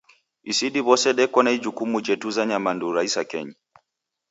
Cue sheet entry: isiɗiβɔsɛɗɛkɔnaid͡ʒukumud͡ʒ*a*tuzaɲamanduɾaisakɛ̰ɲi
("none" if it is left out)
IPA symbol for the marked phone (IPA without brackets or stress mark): ɛ